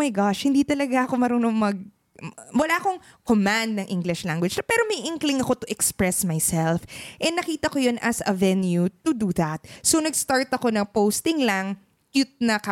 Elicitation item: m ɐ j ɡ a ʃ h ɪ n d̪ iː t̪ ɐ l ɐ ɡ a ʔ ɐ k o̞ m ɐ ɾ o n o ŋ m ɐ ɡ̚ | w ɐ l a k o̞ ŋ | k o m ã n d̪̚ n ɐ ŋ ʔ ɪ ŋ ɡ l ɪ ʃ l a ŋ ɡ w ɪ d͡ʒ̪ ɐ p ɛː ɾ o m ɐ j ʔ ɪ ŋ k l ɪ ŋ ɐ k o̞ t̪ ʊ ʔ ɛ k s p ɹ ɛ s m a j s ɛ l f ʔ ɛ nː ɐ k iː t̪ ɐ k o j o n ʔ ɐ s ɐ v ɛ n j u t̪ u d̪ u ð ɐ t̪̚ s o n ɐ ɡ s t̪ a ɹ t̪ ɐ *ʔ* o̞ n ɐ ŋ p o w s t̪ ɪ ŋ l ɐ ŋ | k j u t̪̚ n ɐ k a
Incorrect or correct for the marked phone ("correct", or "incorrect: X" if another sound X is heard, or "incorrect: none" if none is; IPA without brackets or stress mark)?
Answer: incorrect: k